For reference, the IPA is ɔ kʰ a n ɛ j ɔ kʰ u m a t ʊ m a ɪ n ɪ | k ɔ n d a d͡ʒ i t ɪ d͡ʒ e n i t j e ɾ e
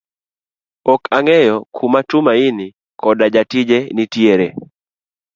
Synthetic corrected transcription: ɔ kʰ a ŋ ɛ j ɔ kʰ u m a t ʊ m a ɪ n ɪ | k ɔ d a d͡ʒ a t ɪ d͡ʒ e n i t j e ɾ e